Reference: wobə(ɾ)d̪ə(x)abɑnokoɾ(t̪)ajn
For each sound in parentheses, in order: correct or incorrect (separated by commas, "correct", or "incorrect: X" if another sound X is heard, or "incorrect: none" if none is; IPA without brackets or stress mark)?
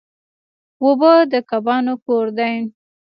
incorrect: none, incorrect: k, incorrect: d̪